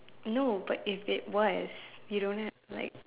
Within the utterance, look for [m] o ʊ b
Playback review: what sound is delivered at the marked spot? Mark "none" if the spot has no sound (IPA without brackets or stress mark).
n